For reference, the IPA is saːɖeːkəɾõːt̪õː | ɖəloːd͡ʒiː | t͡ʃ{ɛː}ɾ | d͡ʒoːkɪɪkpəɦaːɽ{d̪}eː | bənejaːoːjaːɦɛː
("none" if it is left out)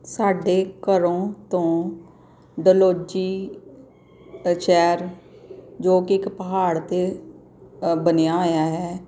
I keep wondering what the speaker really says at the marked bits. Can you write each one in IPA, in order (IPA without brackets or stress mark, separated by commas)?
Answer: ɛː, t̪